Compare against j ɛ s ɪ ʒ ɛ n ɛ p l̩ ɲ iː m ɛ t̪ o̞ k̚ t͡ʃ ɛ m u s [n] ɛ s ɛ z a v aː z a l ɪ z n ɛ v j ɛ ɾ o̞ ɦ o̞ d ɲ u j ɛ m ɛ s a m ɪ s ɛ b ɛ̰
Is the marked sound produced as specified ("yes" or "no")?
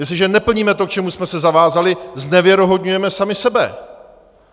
no